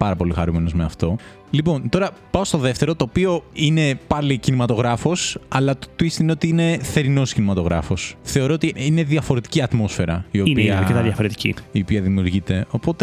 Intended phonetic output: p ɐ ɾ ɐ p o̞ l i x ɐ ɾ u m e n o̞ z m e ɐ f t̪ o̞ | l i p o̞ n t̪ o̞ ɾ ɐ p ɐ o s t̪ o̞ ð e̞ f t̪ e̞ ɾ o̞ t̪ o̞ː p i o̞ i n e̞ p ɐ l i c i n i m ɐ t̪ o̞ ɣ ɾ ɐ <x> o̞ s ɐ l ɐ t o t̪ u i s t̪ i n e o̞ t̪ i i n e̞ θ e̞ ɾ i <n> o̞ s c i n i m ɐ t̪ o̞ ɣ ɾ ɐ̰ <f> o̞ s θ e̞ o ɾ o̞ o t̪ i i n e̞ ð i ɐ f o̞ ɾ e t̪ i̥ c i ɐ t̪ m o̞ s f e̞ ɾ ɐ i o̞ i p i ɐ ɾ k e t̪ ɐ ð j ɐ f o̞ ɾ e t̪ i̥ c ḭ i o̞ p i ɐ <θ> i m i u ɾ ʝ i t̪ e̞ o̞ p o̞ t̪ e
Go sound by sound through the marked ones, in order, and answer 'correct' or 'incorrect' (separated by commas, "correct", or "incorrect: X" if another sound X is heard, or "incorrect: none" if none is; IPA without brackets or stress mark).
incorrect: f, correct, correct, incorrect: ð